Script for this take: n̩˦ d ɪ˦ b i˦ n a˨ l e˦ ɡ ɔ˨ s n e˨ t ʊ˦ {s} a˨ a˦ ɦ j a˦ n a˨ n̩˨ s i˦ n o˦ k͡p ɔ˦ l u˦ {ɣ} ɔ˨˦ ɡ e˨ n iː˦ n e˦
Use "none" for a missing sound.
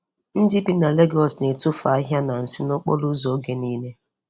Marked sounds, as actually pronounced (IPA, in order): f, z

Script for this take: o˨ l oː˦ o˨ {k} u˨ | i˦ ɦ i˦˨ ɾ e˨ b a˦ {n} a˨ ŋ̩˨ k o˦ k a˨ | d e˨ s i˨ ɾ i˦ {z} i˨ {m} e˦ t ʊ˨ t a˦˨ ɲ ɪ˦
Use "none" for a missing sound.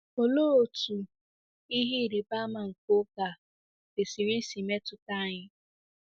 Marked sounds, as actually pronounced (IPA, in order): t, m, s, m

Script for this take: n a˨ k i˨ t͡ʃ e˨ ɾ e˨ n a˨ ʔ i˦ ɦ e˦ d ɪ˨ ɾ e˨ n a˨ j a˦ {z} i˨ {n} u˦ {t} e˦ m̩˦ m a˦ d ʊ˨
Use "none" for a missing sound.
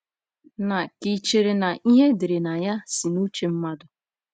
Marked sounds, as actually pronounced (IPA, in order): s, n, t͡ʃ

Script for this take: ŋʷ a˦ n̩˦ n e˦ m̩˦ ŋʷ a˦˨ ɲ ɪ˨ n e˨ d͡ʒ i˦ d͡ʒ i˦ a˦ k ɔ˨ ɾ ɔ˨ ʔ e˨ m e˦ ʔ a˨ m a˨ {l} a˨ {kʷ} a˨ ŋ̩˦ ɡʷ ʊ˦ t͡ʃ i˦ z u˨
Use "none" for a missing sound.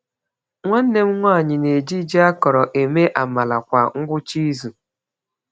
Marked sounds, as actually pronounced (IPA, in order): l, kʷ

